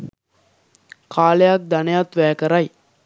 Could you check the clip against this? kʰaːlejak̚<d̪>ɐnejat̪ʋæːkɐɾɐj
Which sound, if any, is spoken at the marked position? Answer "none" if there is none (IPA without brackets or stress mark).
d̪